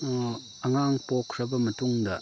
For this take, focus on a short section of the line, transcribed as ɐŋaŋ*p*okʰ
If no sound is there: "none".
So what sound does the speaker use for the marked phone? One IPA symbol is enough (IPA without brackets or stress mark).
p